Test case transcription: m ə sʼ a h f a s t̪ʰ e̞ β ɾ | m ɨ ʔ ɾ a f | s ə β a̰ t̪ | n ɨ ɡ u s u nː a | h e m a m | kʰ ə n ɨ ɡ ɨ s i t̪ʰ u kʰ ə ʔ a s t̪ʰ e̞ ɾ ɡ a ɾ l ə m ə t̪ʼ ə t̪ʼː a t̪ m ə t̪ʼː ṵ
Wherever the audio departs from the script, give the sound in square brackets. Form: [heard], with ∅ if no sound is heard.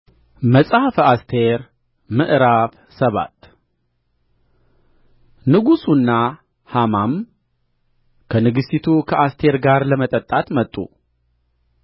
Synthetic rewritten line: m ə sʼ a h f a s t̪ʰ e̞ [∅] ɾ | m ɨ ʔ ɾ a f | s ə β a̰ t̪ | n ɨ ɡ u s u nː a | h [a] m a m | kʰ ə n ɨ ɡ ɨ s i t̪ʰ u kʰ ə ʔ a s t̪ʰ e̞ ɾ ɡ a ɾ l ə m ə t̪ʼ ə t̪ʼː a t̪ m ə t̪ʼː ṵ